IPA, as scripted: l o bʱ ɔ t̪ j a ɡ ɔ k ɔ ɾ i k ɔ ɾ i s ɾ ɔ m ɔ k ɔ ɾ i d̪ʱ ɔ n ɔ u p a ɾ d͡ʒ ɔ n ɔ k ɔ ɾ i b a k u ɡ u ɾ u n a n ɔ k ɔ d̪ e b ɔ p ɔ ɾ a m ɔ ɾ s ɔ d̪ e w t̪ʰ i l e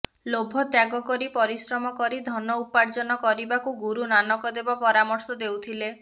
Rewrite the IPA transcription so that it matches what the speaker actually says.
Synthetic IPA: l o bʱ ɔ t̪ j a ɡ ɔ k ɔ ɾ i p ɔ ɾ i s ɾ ɔ m ɔ k ɔ ɾ i d̪ʱ ɔ n ɔ u p a ɾ d͡ʒ ɔ n ɔ k ɔ ɾ i b a k u ɡ u ɾ u n a n ɔ k ɔ d̪ e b ɔ p ɔ ɾ a m ɔ ɾ s ɔ d̪ e w t̪ʰ i l e